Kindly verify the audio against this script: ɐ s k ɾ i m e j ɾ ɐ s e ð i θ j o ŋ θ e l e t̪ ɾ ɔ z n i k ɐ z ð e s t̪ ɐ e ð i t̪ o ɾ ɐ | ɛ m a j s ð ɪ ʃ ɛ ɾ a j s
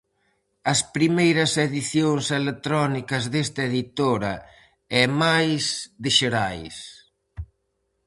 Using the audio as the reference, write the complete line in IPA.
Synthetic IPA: ɐ s p ɾ i m e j ɾ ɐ s e ð i θ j o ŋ s e l e t̪ ɾ ɔ n i k ɐ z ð e s t̪ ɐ e ð i t̪ o ɾ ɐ | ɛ m a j s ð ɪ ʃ e ɾ a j s